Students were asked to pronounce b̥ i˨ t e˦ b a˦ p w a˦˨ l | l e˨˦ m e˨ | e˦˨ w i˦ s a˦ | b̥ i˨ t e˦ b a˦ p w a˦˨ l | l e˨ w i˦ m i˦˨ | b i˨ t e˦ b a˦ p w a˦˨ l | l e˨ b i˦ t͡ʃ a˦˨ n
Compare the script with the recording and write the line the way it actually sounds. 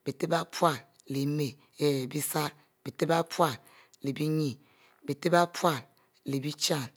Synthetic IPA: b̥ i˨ t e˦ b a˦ p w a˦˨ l | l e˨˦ m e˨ | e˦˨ b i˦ s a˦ | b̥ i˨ t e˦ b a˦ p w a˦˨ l | l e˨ b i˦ ɲ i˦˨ | b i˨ t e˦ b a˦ p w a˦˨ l | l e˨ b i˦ t͡ʃ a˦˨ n